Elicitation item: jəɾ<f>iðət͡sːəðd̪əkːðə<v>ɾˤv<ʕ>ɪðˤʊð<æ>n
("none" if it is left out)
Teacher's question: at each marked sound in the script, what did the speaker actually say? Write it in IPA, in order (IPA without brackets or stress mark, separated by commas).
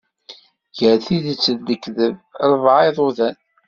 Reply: θ, v, ʕ, æ